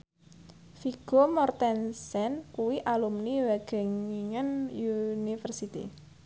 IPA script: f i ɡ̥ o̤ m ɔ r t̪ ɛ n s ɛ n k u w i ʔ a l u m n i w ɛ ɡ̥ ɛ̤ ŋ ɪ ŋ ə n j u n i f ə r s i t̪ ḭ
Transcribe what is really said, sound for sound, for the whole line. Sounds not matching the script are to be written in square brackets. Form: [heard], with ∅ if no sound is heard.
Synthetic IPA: f i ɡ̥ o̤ m ɔ r t̪ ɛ n s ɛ n k u w i ʔ a l u m n i w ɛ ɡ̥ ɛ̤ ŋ [i] ŋ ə n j u n i f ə r s i t̪ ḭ